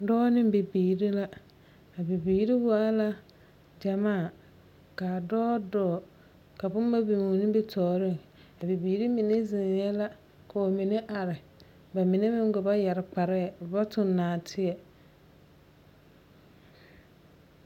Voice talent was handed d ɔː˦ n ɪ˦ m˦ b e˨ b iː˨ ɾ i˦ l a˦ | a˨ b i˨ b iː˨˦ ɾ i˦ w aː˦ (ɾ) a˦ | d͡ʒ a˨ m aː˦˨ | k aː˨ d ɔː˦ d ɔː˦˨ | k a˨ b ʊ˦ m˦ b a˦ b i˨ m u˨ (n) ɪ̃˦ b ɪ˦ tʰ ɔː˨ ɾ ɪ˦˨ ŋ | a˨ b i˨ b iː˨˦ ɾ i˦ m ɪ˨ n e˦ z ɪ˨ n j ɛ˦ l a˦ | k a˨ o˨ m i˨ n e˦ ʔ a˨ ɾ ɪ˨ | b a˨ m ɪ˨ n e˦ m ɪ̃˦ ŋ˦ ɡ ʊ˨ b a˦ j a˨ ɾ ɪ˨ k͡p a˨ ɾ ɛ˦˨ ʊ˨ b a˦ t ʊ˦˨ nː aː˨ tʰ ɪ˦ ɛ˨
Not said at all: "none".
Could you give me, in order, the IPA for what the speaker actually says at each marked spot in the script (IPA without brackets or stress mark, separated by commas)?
l, n